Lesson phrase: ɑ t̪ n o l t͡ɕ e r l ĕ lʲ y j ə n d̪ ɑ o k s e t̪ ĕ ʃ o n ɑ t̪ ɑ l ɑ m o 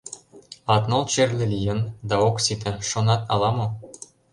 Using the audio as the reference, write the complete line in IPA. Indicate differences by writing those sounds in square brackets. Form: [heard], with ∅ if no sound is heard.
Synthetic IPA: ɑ t̪ n o l t͡ɕ e r l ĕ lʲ [i] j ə n d̪ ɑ o k s [i] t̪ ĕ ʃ o n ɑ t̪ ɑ l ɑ m o